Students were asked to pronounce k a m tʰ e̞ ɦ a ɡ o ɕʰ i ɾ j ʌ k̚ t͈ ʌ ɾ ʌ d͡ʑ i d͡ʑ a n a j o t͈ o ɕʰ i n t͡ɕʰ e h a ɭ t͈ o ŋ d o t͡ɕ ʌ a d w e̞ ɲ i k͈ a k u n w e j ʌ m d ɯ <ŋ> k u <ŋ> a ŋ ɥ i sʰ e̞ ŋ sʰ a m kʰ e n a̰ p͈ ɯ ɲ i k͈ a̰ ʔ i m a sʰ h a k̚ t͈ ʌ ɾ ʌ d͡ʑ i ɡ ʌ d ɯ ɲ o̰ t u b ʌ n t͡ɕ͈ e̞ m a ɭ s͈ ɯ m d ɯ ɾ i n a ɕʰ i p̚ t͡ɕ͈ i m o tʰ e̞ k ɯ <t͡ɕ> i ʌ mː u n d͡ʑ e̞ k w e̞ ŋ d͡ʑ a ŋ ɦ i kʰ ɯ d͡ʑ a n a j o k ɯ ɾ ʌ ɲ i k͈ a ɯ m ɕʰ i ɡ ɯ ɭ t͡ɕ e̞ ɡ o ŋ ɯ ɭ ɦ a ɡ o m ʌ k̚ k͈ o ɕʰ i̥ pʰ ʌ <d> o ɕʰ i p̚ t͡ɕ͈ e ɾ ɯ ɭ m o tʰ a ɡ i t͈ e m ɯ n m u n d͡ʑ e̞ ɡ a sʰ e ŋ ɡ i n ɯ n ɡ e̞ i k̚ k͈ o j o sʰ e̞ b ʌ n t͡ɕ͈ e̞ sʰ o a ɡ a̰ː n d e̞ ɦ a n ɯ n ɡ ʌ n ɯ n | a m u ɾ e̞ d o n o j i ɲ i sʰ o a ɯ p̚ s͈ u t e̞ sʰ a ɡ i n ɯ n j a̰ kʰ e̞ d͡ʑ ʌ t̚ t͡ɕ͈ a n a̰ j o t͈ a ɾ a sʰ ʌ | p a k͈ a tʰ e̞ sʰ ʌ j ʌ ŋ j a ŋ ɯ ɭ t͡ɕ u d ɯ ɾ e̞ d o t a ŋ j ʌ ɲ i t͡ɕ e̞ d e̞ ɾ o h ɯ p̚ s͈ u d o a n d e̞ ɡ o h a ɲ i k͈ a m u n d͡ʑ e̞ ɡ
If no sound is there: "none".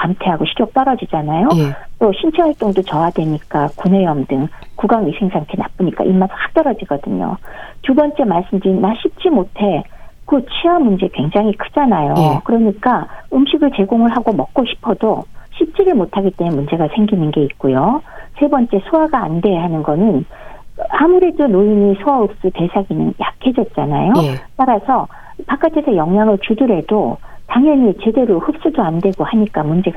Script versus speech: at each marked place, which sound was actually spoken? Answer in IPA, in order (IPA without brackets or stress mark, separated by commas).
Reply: ŋ, ɡ, t͡ɕʰ, d